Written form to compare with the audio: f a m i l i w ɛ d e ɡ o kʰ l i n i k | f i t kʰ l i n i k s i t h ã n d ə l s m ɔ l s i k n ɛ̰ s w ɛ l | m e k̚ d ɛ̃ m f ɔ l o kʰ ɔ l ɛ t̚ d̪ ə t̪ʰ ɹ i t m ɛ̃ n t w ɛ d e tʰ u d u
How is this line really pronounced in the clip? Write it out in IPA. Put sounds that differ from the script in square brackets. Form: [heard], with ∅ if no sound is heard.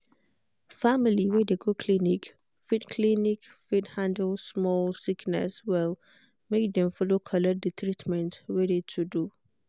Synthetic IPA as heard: f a m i l i w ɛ d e ɡ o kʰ l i n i k | f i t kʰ l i n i k [f] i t h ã n d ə l s m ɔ l s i k n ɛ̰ s w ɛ l | m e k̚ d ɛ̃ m f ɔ l o kʰ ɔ l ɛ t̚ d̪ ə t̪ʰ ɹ i t m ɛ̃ n t w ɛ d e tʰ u d u